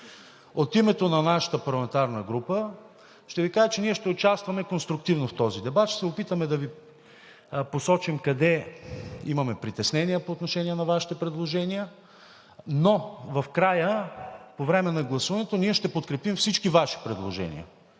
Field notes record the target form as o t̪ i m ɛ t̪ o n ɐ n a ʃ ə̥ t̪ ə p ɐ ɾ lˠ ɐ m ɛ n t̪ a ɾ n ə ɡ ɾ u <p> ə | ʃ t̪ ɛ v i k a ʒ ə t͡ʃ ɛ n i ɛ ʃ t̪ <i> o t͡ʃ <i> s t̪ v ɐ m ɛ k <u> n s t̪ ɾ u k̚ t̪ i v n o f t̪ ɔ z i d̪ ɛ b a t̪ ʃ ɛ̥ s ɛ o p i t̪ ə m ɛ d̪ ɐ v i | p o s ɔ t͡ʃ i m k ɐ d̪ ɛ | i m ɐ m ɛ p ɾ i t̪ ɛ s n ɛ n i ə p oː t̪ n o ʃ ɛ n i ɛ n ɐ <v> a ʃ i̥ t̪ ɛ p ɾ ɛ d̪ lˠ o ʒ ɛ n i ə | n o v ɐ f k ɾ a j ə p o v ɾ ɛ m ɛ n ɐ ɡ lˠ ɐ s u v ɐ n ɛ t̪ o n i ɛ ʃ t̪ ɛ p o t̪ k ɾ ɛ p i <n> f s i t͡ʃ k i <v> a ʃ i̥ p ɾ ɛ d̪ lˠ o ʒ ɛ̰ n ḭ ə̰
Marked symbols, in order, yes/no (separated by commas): yes, no, no, no, yes, no, yes